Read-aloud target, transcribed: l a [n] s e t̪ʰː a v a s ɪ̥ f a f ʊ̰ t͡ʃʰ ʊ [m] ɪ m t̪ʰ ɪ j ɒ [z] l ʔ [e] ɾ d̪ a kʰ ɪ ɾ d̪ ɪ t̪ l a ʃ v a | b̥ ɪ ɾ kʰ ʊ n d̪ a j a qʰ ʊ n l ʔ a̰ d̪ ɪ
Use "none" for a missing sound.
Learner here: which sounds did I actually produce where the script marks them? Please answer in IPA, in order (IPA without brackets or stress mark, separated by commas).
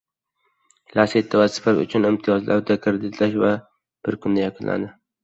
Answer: none, n, z, a